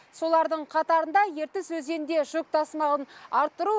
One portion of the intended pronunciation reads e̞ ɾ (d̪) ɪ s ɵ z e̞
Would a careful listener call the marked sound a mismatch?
yes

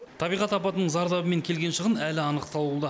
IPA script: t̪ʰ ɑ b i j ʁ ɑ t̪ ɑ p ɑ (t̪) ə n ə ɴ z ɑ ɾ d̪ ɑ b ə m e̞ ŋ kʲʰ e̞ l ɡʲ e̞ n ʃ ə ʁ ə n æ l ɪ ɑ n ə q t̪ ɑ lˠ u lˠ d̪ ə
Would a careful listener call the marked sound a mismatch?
no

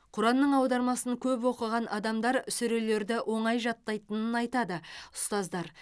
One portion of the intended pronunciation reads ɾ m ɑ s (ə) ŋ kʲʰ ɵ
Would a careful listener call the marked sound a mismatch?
no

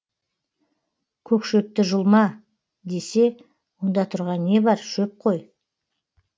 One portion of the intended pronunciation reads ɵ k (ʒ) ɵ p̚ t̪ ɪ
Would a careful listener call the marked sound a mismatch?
yes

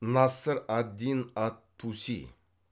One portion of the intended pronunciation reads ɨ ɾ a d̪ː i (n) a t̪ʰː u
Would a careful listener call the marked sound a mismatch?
no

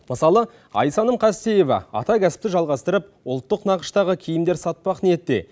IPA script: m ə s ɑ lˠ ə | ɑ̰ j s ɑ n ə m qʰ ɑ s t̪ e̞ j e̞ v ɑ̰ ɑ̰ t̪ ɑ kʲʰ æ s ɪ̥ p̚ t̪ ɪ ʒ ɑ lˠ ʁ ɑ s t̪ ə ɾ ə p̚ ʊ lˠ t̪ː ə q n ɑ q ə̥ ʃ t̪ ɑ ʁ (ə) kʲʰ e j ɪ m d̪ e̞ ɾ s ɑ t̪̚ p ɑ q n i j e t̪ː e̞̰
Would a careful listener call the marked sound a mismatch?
no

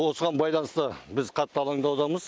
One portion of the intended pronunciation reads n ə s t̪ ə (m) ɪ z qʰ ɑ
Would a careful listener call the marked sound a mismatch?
yes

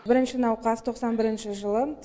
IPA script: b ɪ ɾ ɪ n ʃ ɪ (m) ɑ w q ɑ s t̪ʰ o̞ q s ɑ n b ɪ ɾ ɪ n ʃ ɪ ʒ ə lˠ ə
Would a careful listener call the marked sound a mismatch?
yes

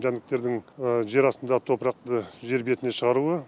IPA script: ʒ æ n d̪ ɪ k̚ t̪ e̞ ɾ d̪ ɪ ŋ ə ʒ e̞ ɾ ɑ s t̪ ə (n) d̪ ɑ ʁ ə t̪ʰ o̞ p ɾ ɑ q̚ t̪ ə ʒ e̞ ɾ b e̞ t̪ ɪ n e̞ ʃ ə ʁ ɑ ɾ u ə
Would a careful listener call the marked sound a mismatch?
no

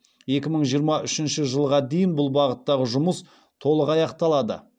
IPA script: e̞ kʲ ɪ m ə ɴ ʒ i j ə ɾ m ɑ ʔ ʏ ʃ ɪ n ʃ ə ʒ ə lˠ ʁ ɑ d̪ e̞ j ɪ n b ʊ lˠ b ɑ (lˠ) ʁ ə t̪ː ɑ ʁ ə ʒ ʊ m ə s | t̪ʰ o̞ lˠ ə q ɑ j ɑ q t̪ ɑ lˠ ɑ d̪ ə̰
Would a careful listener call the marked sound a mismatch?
yes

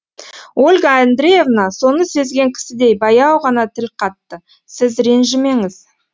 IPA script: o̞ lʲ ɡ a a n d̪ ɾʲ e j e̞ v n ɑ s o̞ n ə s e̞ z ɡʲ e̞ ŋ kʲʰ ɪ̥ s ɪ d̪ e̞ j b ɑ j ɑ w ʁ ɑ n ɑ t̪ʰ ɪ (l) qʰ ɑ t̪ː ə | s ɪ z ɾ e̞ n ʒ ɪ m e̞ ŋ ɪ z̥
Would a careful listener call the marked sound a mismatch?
no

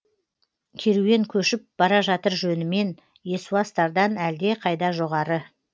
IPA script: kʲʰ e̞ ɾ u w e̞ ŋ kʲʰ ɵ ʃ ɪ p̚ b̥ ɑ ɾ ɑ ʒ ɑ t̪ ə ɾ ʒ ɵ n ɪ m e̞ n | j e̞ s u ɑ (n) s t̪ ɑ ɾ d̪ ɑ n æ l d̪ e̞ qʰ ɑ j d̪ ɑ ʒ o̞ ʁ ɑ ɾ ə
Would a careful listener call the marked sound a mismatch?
yes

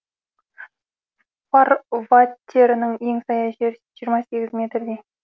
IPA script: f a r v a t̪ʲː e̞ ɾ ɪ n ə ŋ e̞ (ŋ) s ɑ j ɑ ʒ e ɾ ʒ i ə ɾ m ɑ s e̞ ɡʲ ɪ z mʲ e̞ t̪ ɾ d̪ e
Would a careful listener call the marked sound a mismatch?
no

